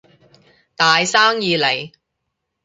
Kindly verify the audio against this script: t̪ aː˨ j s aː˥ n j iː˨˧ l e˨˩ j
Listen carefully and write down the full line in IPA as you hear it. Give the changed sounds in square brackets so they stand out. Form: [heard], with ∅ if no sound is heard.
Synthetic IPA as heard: t̪ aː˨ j s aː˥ [ŋ] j iː˨˧ l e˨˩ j